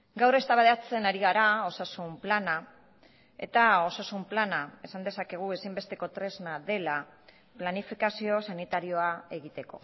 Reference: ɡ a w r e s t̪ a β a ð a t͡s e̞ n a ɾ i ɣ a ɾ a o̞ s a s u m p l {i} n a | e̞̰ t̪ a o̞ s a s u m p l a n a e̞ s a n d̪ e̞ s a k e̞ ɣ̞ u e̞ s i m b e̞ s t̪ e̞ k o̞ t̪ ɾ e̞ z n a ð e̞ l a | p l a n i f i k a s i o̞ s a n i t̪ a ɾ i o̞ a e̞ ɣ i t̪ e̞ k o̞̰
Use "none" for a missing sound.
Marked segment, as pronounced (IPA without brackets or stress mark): a